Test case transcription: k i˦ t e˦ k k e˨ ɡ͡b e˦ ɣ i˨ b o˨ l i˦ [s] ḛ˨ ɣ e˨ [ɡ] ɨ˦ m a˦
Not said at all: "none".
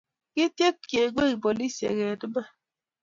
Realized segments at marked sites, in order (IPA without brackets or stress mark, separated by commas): s, d